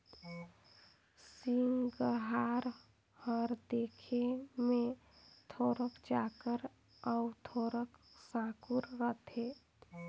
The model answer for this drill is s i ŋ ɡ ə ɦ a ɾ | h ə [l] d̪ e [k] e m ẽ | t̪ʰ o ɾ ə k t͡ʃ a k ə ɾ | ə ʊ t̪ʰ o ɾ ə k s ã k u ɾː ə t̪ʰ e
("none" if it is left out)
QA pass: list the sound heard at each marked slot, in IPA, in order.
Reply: ɾ, kʰ

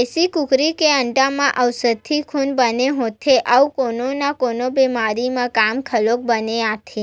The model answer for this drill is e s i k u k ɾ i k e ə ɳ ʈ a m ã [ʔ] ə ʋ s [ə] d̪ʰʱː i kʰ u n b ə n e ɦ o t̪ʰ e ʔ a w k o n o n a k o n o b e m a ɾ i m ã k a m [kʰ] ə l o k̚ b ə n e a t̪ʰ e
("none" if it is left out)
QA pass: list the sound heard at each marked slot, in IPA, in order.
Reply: ʔ, ə, kʰ

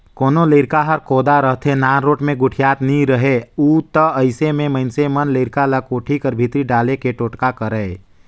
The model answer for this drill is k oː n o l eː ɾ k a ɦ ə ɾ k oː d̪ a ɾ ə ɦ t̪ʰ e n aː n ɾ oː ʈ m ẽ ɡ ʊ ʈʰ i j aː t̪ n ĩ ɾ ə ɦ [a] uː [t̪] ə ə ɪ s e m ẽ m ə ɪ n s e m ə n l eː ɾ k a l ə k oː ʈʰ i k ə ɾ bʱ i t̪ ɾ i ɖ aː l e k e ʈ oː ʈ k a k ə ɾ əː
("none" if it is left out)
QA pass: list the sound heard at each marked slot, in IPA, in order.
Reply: e, t̪

